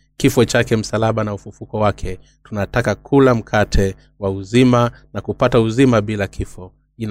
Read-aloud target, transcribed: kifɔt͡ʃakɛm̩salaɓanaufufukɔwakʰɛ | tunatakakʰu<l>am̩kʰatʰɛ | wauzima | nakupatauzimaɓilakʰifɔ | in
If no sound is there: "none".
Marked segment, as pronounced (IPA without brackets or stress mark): l